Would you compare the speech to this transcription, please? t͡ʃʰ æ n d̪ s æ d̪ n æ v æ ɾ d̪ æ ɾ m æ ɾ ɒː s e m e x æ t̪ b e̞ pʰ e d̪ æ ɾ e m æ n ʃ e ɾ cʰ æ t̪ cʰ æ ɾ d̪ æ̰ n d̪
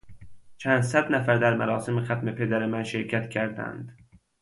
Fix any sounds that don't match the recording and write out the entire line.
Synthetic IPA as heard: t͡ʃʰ æ n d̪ s æ d̪ n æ f æ ɾ d̪ æ ɾ m æ ɾ ɒː s e m e x æ t̪ m e̞ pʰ e d̪ æ ɾ e m æ n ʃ e ɾ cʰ æ t̪ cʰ æ ɾ d̪ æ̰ n d̪